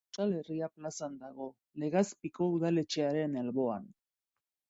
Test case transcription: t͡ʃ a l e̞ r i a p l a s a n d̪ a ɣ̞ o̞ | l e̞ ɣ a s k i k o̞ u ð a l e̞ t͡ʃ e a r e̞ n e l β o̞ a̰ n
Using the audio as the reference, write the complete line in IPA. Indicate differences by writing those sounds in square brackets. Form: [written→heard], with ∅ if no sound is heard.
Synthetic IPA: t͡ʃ a l e̞ r i a p l a s a n d̪ a ɣ̞ o̞ | l e̞ ɣ a s [k→p] i k o̞ u ð a l e̞ t͡ʃ e a [r→ɾ] e̞ n e l β o̞ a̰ n